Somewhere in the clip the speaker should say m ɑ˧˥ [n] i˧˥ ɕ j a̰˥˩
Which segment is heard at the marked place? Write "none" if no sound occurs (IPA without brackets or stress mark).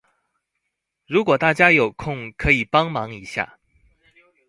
ŋ